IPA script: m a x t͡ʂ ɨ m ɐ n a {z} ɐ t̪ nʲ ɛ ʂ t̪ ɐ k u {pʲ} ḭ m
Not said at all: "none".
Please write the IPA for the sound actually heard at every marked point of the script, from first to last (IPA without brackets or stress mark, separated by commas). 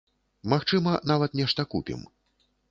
v, pʲ